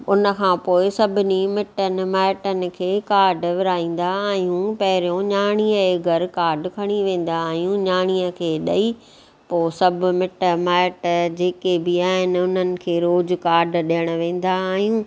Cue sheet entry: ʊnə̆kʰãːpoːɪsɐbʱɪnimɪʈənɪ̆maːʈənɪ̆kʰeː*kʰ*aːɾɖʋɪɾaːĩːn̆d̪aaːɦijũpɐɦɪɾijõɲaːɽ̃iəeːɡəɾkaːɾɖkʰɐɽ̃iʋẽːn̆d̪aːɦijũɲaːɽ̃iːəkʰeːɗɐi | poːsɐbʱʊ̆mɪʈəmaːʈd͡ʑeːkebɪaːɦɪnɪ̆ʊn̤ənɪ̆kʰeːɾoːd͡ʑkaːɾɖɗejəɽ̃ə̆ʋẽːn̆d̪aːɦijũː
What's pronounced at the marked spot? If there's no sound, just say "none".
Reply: k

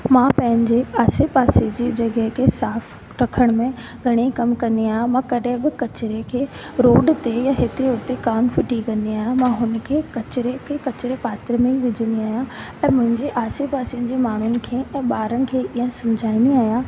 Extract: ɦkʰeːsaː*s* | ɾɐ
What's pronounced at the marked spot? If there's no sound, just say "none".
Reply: f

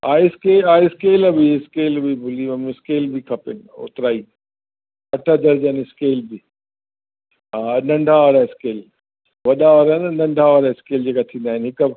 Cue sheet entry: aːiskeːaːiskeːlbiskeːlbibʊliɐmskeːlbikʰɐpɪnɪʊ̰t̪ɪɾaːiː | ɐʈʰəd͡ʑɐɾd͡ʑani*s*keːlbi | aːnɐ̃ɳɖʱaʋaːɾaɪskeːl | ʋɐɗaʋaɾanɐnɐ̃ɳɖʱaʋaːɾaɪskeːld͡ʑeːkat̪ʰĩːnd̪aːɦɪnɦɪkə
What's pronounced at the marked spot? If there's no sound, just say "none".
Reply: s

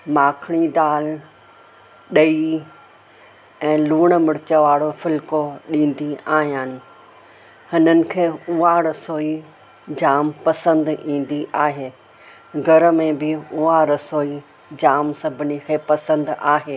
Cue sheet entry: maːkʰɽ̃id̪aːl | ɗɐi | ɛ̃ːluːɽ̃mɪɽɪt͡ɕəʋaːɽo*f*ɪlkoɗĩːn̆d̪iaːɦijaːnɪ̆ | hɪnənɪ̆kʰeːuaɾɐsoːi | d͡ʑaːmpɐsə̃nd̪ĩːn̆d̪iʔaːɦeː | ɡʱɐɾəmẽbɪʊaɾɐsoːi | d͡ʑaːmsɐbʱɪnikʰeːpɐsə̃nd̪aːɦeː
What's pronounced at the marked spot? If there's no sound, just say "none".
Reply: f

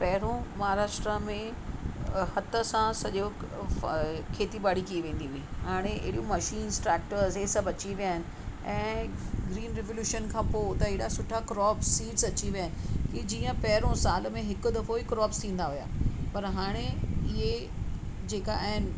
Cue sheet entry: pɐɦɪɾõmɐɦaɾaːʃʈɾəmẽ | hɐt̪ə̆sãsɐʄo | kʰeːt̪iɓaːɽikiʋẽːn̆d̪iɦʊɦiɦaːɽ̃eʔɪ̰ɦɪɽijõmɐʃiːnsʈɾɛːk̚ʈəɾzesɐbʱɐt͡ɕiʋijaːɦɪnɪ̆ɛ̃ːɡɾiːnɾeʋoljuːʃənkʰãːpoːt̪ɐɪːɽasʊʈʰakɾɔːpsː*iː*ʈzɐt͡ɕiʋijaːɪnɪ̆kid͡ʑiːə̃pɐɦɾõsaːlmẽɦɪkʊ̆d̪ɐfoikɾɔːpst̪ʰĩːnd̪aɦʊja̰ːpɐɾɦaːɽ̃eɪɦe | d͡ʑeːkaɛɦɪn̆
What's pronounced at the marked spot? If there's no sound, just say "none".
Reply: iː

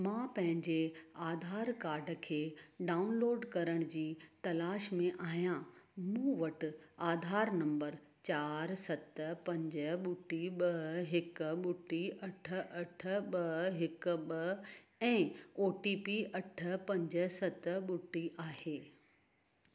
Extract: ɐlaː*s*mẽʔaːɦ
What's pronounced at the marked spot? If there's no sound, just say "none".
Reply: ʃ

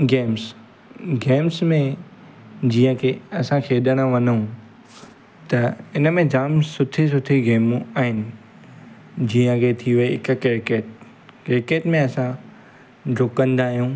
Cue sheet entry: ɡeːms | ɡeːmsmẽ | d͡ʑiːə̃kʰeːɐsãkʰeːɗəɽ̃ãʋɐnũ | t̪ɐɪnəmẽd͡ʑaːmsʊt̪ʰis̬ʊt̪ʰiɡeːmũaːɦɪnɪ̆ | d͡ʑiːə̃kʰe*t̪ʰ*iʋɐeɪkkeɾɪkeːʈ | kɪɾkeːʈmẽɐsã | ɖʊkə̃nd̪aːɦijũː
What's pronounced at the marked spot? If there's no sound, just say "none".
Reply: t̪ʰ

